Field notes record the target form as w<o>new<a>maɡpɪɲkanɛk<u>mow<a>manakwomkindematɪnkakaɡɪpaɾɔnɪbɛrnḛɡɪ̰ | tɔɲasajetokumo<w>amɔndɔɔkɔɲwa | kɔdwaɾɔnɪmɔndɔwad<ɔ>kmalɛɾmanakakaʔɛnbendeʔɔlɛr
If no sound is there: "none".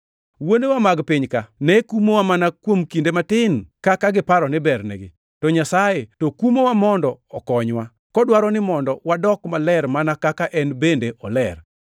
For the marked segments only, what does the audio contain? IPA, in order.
o, a, u, a, w, ɔ

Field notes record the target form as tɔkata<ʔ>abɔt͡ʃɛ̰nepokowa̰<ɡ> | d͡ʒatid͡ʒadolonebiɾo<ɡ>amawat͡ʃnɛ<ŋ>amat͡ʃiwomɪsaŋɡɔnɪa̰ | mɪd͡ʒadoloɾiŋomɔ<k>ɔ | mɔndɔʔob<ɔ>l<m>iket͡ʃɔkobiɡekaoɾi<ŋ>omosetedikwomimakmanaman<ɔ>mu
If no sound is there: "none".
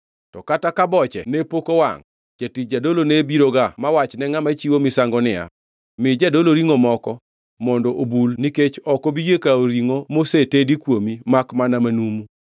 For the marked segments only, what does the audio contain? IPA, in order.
k, ŋ, ɡ, ŋ, k, u, n, ŋ, u

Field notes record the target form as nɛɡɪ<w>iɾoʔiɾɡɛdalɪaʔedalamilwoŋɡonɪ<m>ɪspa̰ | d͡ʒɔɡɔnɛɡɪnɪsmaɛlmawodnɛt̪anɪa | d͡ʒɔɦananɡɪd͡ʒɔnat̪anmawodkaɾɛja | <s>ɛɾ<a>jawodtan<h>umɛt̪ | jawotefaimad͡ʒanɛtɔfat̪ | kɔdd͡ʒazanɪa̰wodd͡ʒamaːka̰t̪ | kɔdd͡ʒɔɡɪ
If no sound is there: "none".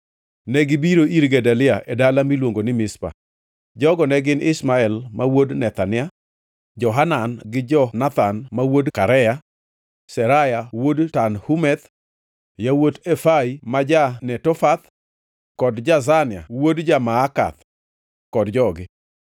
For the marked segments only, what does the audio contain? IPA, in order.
b, m, s, a, h

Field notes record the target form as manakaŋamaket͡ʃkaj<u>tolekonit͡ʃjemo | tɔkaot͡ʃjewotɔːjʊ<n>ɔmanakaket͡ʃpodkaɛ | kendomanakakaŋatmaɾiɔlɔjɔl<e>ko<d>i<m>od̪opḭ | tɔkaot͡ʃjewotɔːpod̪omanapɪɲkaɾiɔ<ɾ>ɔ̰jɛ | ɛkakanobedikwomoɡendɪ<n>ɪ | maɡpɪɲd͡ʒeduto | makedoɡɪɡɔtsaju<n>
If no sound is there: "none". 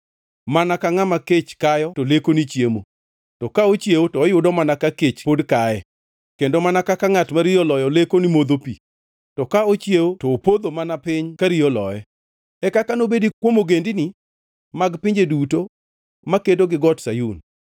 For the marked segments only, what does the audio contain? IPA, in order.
ɔ, d, e, n, m, l, n, n

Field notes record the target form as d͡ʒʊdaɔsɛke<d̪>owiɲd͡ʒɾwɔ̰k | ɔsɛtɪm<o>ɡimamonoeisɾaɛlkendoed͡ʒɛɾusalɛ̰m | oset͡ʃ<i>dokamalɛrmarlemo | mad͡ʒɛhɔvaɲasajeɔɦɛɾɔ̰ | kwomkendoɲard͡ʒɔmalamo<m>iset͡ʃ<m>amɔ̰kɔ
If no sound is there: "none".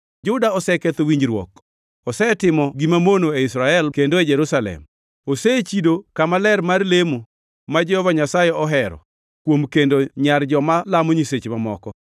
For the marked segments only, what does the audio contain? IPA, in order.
t̪, ɔ, i, ɲ, m

